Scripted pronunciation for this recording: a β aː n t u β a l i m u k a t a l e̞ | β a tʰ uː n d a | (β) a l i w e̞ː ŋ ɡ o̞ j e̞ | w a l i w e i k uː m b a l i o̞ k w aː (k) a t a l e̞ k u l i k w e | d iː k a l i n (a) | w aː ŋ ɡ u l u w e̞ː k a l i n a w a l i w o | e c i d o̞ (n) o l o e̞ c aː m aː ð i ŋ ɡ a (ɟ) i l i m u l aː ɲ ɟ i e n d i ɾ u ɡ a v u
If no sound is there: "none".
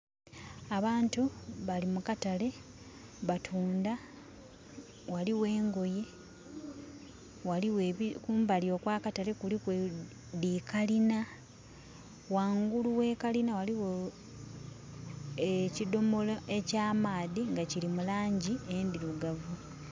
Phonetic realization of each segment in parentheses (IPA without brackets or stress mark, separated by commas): w, k, a, m, c